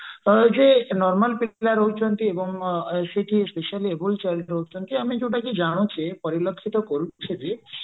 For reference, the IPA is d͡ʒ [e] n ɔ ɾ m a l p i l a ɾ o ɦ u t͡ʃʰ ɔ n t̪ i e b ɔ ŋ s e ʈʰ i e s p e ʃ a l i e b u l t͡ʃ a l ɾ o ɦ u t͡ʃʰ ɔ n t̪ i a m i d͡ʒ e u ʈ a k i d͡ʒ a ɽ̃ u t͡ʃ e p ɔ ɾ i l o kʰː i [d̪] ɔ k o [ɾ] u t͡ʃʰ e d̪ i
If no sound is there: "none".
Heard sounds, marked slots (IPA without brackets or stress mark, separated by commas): e, t̪, ɾ